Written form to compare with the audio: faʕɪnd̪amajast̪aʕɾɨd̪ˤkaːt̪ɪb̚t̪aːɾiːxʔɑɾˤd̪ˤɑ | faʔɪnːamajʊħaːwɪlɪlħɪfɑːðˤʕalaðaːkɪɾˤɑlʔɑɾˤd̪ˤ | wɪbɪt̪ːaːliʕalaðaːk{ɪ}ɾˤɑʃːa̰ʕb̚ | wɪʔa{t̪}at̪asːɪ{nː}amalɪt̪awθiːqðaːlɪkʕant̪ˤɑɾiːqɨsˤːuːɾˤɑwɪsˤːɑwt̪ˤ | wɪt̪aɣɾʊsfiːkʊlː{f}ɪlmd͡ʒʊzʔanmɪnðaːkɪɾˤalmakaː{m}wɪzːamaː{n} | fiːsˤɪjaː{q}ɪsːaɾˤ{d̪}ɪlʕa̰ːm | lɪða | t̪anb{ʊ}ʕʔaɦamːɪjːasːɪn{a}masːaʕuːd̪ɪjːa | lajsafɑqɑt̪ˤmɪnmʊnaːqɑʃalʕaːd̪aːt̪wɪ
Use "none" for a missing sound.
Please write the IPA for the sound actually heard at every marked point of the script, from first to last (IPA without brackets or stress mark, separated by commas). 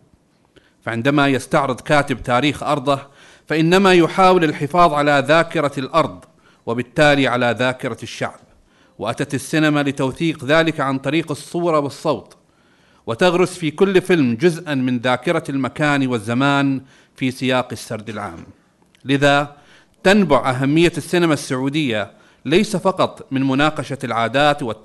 ɪ, t̪, n, f, n, n, q, d̪, ʊ, a